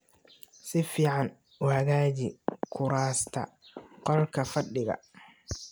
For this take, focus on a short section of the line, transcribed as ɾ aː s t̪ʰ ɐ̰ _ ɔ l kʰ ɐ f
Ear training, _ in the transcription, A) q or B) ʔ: A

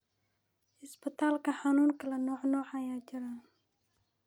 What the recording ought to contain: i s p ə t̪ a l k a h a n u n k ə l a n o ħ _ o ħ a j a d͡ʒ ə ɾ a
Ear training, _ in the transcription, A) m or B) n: B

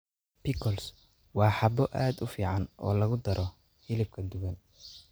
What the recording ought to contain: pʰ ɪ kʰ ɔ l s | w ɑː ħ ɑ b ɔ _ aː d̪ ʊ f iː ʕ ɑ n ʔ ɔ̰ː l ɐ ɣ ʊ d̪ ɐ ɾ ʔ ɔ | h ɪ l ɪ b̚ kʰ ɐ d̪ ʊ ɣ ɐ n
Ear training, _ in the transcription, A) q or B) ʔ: B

